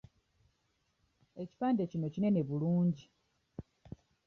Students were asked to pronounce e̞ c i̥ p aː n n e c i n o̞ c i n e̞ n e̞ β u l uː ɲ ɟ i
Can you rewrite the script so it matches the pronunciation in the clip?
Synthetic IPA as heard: e̞ c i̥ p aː n d e c i n o̞ c i n e̞ n e̞ β u l uː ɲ ɟ i